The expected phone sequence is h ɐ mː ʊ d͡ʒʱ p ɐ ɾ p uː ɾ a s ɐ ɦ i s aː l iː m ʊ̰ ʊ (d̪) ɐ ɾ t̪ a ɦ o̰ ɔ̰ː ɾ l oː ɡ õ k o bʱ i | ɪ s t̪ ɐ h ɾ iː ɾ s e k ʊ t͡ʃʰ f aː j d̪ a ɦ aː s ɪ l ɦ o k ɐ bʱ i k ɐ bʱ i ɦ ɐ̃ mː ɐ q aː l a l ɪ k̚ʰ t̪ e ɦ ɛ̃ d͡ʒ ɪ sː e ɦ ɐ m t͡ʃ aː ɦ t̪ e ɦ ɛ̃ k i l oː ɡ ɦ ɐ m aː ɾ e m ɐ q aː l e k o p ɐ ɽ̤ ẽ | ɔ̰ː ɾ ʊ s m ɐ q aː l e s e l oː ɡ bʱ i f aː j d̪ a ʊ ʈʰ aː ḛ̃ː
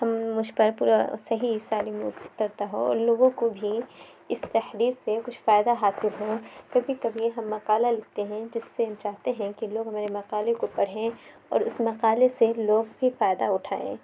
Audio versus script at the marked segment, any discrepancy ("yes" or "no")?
yes